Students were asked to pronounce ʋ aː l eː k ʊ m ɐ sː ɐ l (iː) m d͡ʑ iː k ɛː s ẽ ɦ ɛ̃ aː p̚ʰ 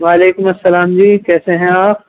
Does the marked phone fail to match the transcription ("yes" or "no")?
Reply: yes